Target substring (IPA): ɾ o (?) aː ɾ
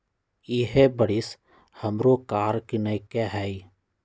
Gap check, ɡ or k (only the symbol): k